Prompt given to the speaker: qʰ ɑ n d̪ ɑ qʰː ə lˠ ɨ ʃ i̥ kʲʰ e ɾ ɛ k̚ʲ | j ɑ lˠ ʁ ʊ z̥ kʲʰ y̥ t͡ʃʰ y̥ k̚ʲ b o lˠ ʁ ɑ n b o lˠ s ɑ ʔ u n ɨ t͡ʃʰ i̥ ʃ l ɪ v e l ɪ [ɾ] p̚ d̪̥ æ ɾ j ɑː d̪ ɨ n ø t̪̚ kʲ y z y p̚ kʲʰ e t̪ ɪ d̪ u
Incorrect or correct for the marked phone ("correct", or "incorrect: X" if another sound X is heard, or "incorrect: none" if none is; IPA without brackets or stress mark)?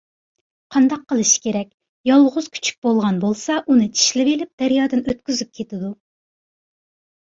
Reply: incorrect: none